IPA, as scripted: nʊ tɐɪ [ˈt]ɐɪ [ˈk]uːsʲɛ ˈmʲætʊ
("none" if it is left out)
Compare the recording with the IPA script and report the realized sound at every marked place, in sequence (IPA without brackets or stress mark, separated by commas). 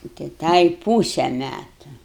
t, p